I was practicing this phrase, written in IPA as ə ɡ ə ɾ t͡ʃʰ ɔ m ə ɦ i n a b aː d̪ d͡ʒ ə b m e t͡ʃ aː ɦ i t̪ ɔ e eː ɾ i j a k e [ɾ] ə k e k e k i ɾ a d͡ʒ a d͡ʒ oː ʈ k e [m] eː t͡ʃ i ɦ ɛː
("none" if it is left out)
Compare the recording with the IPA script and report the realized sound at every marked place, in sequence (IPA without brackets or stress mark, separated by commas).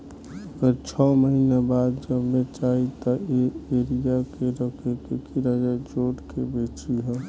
ɾ, b